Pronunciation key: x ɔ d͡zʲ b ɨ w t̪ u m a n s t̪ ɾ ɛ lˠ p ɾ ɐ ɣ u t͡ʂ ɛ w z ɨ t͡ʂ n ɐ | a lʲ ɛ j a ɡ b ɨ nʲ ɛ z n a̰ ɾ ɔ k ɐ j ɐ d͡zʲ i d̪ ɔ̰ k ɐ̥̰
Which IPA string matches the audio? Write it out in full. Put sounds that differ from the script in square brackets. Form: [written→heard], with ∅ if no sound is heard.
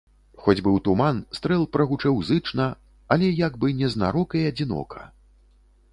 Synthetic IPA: x ɔ d͡zʲ b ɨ w t̪ u m a n s t̪ ɾ ɛ lˠ p ɾ ɐ ɣ u t͡ʂ ɛ w z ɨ t͡ʂ n ɐ | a lʲ ɛ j a ɡ b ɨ nʲ ɛ z n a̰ ɾ ɔ k ɐ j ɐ d͡zʲ i [d̪→n̪] ɔ̰ k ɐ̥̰